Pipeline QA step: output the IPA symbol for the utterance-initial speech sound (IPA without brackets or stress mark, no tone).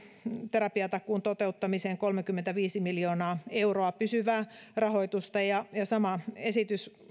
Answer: t̪